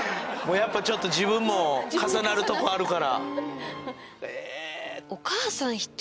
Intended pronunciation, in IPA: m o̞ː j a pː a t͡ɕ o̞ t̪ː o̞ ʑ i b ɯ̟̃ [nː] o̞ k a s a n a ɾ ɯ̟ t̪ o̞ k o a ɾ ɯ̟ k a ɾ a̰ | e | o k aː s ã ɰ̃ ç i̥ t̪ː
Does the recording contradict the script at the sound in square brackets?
yes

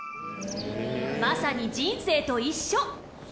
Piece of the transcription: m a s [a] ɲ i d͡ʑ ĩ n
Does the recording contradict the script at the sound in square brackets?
no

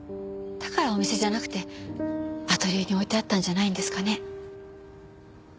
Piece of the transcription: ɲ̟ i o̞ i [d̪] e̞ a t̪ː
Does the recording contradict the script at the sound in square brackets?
yes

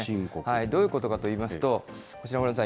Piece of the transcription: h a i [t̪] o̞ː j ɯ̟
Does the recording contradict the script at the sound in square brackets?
yes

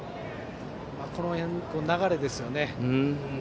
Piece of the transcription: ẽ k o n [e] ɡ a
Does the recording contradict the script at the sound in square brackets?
yes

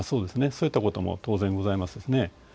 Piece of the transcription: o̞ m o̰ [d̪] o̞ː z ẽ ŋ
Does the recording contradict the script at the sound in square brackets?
yes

